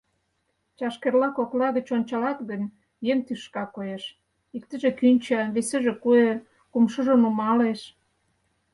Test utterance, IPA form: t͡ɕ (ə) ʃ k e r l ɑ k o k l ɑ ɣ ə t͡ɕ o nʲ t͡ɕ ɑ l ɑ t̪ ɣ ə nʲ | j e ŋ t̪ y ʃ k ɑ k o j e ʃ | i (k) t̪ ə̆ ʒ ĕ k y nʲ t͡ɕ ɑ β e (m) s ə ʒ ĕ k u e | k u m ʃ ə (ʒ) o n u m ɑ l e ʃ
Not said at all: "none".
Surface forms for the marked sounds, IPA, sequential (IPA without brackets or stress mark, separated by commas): ɑ, k, none, ʒ